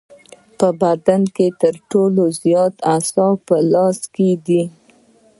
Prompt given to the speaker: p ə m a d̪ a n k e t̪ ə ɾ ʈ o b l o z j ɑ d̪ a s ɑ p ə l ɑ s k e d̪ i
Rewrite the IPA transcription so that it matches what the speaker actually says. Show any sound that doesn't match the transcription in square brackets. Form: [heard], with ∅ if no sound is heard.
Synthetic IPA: p ə [b] a d̪ a n k e t̪ ə ɾ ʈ o [∅] l o z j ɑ [t̪] a s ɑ p ə l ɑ s k e d̪ i

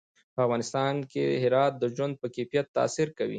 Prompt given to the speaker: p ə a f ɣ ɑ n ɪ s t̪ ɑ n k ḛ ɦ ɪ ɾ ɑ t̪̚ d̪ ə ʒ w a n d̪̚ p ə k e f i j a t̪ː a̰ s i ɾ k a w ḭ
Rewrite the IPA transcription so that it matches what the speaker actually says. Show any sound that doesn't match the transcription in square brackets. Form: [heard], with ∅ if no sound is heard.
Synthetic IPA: p ə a f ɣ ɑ n ɪ s t̪ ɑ n k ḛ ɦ ɪ ɾ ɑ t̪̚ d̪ ə ʒ w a n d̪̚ p ə k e f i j a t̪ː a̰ s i ɾ k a w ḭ

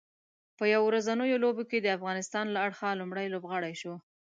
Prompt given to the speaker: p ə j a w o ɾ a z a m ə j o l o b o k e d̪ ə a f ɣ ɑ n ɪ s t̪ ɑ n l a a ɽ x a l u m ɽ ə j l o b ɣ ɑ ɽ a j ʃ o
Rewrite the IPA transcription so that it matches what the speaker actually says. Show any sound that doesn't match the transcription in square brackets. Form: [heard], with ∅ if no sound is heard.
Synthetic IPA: p ə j a w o ɾ a z a [n] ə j o l o b o k e d̪ ə a f ɣ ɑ n ɪ s t̪ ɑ n l a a ɽ x a l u m ɽ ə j l o b ɣ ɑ ɽ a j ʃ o

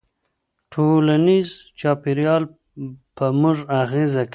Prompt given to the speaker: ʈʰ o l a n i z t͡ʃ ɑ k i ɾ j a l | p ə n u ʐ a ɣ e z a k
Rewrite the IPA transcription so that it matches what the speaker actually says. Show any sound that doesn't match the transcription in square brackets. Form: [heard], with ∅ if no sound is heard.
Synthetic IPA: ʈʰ o l a n i z t͡ʃ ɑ [p] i ɾ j [ɑ] l | p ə [m] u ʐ a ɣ e z a k

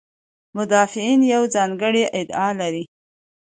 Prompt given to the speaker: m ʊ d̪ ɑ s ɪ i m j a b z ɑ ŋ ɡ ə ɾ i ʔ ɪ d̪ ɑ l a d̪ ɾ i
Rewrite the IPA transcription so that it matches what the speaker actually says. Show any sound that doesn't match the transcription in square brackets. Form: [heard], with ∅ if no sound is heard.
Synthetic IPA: m ʊ d̪ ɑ [f] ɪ i [n] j a [w] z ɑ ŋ ɡ ə [ɽ] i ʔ ɪ d̪ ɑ l a [∅] ɾ i

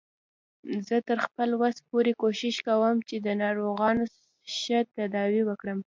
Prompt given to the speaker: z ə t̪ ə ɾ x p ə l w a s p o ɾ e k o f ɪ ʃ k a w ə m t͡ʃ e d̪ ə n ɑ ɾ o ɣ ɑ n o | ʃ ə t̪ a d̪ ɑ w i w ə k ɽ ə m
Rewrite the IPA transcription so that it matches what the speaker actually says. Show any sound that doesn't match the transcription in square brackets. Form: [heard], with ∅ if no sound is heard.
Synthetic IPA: z ə t̪ ə ɾ x p ə l w a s p o ɾ e k o [ʃ] ɪ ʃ k a w ə m t͡ʃ e d̪ ə n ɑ ɾ o ɣ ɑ n o | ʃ ə t̪ a d̪ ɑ w i w ə k ɽ ə m

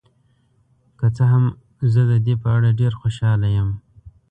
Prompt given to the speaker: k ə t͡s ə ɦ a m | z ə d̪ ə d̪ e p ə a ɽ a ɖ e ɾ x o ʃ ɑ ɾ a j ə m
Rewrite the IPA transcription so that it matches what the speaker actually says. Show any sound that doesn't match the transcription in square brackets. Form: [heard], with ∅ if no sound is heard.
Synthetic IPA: k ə t͡s ə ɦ a m | z ə d̪ ə d̪ e p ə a ɽ a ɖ e ɾ x o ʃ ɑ [l] a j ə m

